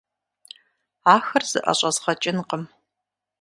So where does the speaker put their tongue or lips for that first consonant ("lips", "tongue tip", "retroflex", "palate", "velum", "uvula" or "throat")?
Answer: velum